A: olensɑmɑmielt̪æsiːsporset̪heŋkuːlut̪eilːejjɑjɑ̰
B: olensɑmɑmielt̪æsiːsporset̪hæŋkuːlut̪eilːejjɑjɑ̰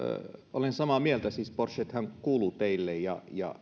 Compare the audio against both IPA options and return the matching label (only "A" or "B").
B